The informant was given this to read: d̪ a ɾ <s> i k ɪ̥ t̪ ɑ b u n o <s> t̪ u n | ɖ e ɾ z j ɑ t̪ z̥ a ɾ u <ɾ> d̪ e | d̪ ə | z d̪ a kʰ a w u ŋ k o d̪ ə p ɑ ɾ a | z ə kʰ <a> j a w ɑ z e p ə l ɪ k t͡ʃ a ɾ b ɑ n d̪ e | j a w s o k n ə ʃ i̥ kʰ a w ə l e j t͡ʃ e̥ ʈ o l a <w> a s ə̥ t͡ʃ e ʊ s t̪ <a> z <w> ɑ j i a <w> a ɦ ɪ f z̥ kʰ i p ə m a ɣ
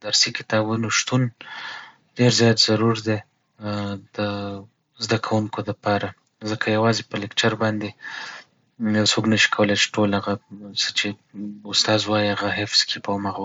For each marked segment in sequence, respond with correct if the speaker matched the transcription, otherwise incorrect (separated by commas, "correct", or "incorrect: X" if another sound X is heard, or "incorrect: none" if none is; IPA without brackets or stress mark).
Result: correct, incorrect: ʃ, correct, correct, incorrect: ɣ, incorrect: ɑ, correct, incorrect: ɣ